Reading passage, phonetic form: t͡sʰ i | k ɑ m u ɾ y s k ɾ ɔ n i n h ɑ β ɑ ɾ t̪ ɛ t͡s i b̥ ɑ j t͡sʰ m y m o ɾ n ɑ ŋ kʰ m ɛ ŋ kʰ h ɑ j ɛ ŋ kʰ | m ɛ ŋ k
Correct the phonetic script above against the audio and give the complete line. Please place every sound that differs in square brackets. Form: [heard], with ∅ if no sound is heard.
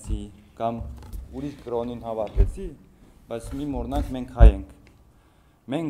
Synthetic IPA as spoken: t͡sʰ i | k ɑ m u ɾ [i] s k ɾ ɔ n i n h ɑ [v] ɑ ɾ t̪ ɛ [t͡sʰ] i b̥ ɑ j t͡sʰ m [i] m [ɔ] ɾ n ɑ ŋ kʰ m ɛ ŋ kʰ h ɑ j ɛ ŋ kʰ | m ɛ ŋ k